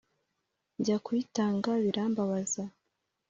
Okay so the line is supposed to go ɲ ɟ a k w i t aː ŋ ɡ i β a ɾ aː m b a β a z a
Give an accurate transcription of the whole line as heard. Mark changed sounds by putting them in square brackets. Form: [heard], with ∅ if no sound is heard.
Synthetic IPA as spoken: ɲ ɟ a k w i t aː ŋ ɡ [a] β [i] ɾ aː m b a β a z a